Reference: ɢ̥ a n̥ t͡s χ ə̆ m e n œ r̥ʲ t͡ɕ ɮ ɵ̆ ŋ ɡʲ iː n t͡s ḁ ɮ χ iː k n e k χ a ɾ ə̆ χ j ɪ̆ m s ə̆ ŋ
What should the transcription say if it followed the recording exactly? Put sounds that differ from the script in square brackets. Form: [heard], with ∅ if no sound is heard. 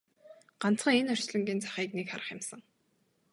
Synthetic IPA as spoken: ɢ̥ a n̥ t͡s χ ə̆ [ŋ] e n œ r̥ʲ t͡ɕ ɮ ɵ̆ ŋ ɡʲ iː n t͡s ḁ [∅] χ iː k n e k χ a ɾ ə̆ χ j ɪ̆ m s ə̆ ŋ